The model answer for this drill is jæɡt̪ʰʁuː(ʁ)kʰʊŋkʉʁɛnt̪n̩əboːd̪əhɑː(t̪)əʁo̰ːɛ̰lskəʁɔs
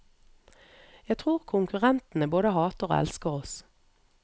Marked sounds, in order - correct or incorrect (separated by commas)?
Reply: correct, correct